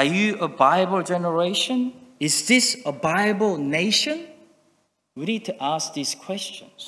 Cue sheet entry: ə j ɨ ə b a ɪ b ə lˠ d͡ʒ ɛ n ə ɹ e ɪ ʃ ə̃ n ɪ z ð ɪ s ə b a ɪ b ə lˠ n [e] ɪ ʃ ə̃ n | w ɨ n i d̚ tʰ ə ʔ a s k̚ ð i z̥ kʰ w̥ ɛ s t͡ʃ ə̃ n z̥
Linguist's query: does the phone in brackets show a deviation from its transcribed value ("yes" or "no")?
no